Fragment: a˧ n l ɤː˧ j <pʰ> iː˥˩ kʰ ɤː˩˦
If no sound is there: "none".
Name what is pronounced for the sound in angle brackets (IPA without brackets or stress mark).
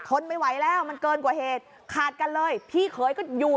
pʰ